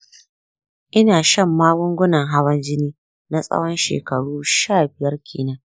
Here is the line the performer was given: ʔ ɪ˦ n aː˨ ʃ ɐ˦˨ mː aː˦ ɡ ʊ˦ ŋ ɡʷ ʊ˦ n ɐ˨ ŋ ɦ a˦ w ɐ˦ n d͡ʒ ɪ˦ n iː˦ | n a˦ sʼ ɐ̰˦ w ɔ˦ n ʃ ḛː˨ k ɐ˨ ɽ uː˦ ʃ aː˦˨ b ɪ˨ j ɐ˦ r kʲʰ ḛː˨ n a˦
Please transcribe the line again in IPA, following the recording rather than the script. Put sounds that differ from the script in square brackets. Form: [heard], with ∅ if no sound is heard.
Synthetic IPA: ʔ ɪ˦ n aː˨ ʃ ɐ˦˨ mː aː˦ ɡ ʊ˦ ŋ ɡʷ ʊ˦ n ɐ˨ ŋ ɦ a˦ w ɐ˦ n d͡ʒ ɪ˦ n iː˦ | n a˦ sʼ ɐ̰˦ w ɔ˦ n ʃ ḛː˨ k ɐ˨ ɽ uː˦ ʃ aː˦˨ b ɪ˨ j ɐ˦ r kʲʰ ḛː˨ n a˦

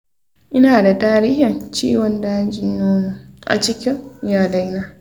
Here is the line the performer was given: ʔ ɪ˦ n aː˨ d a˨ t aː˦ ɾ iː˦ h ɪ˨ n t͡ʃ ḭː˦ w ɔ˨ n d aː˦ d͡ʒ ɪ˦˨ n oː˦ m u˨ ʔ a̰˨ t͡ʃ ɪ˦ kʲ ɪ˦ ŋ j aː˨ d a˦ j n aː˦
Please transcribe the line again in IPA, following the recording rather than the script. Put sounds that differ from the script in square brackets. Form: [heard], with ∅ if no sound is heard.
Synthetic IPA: ʔ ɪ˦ n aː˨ d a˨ t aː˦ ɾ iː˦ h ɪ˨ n t͡ʃ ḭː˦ w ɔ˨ n d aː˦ d͡ʒ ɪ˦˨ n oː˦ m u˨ ʔ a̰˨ t͡ʃ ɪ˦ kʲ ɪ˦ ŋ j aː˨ d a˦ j n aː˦

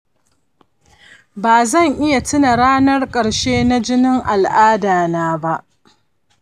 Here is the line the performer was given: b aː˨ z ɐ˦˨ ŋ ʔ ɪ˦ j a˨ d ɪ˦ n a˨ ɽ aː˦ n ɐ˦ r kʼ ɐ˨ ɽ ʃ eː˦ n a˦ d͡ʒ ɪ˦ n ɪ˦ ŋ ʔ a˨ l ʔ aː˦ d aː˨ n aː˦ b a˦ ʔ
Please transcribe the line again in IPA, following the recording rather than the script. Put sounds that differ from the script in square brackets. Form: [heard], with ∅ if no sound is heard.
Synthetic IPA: b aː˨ z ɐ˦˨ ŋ ʔ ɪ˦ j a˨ [t] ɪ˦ n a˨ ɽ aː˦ n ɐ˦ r kʼ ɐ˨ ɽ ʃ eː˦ n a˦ d͡ʒ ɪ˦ n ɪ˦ ŋ ʔ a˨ l ʔ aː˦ d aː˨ n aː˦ b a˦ ʔ

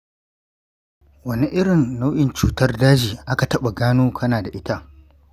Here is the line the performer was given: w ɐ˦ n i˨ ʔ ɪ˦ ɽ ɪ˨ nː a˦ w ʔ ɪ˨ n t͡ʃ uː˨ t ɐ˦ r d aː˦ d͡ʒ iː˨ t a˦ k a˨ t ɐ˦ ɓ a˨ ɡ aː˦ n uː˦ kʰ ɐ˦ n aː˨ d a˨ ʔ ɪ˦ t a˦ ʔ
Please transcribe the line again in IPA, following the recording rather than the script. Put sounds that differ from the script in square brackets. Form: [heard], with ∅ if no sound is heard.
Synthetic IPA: w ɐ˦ n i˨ ʔ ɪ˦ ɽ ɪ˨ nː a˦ w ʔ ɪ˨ n t͡ʃ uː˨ t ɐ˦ r d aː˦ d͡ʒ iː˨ [ʔ] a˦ k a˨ t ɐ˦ ɓ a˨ ɡ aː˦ n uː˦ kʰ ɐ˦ n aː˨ d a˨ ʔ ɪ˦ t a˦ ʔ

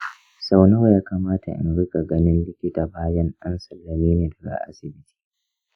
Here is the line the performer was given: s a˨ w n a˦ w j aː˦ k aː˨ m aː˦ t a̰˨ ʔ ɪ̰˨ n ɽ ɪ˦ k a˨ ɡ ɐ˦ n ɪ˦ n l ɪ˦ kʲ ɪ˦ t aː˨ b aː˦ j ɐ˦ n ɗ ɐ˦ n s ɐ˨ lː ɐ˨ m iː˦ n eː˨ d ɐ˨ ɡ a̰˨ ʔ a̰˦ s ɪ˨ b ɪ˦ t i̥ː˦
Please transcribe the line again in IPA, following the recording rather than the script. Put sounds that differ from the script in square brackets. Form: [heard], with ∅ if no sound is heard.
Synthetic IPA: s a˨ w n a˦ w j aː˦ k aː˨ m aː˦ t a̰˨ ʔ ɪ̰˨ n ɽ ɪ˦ k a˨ ɡ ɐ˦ n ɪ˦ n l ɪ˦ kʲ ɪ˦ t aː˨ b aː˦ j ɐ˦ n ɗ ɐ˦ n s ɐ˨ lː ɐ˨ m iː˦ n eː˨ d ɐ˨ ɡ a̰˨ ʔ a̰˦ s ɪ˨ b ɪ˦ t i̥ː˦

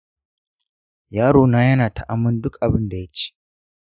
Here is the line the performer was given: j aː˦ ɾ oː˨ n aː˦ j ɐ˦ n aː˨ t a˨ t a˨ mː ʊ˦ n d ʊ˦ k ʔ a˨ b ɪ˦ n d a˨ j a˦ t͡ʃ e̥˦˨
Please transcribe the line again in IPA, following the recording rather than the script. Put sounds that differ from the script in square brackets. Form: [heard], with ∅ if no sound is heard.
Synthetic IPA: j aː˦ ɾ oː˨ n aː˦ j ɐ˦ n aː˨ t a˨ [ʔ] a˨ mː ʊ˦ n d ʊ˦ k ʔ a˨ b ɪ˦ n d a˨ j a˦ t͡ʃ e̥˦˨

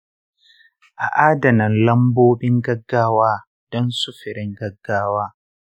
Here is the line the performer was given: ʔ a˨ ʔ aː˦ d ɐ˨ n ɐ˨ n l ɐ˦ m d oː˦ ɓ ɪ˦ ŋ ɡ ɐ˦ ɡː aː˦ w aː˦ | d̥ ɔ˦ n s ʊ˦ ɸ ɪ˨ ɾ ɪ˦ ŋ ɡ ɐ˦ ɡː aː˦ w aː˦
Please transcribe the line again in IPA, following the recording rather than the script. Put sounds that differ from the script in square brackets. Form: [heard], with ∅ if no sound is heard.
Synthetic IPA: ʔ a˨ ʔ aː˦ d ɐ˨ n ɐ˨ n l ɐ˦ m [b] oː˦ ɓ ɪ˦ ŋ ɡ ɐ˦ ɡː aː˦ w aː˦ | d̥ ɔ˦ n s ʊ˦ ɸ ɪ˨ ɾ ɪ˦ ŋ ɡ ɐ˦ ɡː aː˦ w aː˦

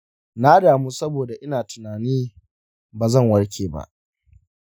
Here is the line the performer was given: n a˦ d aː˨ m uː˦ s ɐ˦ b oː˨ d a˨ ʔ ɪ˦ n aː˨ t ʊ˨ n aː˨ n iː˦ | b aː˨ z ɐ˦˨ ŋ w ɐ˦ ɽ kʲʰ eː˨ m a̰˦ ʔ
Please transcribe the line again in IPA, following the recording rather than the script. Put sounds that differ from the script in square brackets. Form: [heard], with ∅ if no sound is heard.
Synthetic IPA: n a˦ d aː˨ m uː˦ s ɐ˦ b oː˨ d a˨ ʔ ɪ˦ n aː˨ t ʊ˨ n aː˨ n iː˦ | b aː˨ z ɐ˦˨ ŋ w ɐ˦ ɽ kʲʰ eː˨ [b] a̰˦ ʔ

